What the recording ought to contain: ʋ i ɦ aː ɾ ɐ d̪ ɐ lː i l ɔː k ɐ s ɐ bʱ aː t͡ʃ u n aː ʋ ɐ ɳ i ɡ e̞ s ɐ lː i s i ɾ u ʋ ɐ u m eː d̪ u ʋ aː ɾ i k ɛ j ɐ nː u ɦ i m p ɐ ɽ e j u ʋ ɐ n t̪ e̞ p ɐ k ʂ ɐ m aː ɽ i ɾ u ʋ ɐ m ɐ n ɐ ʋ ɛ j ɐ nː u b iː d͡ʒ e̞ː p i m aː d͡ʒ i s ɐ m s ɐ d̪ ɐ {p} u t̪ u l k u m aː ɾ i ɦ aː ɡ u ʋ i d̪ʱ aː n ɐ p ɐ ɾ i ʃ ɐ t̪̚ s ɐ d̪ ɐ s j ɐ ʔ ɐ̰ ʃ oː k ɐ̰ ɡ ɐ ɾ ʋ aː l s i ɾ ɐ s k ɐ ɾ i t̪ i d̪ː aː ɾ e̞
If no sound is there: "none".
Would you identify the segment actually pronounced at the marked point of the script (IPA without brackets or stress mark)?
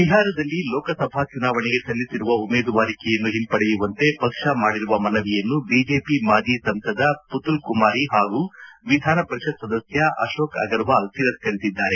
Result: p